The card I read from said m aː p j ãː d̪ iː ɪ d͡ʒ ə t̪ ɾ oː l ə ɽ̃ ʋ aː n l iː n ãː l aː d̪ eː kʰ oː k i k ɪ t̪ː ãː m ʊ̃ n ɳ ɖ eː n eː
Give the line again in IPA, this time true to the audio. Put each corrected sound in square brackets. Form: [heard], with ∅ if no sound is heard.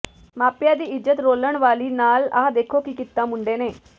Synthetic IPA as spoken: m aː p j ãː d̪ iː ɪ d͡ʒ ə t̪ ɾ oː l ə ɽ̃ ʋ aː [∅] l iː n [aː] l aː d̪ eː kʰ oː k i k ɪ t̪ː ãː m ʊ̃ [∅] ɳ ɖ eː n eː